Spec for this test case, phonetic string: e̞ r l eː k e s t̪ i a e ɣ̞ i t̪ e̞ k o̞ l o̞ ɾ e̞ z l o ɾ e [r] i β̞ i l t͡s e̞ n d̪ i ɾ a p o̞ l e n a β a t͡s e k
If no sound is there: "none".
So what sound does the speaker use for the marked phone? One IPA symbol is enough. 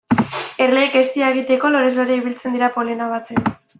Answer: none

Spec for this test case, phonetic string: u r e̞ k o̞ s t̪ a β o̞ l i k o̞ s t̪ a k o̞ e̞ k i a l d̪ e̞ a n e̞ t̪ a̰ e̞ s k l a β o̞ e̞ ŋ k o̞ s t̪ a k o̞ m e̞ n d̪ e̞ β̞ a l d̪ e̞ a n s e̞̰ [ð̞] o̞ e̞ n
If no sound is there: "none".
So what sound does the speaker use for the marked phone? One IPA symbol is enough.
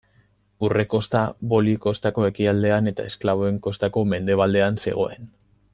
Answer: ɣ̞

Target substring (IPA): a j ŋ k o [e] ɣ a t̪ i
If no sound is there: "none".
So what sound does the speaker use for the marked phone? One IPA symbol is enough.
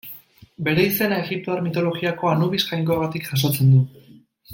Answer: a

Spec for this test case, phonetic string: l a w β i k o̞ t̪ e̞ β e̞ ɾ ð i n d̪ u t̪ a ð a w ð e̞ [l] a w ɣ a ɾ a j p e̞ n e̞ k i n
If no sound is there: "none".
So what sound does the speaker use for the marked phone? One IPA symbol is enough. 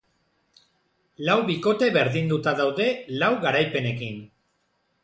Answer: l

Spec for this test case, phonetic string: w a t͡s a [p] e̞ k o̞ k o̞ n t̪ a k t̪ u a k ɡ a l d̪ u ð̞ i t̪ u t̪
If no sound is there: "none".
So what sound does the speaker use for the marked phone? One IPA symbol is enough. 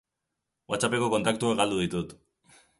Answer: p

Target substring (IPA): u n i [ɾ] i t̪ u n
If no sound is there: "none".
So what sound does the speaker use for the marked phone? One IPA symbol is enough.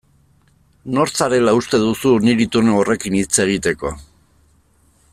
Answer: ɾ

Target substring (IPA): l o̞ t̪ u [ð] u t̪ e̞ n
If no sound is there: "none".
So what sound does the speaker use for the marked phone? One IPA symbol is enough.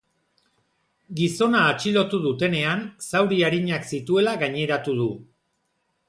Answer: ð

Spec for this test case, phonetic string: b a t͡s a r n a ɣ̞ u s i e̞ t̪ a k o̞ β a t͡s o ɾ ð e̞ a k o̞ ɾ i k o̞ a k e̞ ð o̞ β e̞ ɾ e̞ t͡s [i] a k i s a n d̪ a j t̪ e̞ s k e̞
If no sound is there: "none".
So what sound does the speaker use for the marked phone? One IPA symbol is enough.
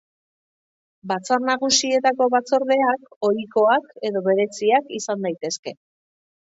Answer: i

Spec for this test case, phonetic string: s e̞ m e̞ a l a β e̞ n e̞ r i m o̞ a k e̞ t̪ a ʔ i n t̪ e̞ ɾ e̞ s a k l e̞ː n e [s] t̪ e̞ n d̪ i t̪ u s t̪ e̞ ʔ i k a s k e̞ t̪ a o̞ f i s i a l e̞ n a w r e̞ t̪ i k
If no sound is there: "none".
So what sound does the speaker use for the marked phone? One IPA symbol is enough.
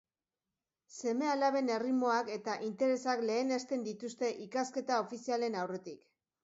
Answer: s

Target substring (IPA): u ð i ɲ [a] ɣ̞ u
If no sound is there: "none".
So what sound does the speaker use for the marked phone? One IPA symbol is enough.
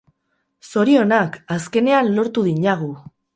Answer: a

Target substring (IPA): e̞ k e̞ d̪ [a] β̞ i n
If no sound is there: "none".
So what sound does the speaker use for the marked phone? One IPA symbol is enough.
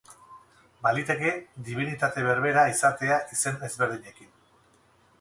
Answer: i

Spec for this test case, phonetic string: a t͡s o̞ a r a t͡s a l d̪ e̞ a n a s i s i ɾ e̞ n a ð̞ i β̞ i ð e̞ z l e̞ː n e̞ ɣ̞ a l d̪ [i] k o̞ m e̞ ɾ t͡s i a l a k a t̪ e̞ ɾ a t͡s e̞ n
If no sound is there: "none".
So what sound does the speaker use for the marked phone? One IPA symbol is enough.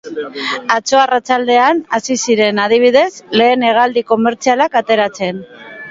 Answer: i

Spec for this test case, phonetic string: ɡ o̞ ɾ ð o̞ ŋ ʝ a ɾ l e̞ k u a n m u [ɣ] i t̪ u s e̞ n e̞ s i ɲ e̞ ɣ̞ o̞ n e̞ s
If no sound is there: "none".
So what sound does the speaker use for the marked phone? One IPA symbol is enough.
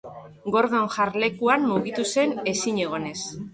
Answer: ɣ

